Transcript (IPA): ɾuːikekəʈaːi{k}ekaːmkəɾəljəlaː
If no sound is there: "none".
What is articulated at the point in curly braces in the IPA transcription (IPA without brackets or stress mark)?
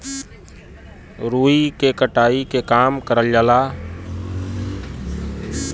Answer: k